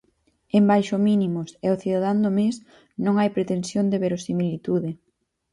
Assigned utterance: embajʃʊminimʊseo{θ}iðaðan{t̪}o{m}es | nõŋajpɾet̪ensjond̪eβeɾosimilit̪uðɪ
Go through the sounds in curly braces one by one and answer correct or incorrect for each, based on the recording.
correct, incorrect: d̪, correct

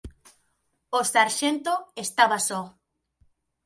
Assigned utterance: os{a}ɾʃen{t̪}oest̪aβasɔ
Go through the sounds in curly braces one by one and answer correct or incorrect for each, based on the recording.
correct, correct

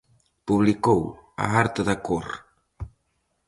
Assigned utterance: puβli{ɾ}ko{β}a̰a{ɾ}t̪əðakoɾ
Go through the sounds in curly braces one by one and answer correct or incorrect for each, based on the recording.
incorrect: none, incorrect: w, correct

